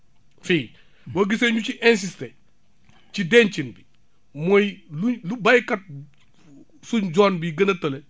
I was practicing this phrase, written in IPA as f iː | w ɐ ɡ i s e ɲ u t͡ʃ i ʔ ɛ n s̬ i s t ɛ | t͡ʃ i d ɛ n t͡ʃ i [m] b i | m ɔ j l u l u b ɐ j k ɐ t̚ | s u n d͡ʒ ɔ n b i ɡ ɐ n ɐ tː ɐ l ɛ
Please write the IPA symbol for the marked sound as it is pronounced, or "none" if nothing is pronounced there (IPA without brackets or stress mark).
n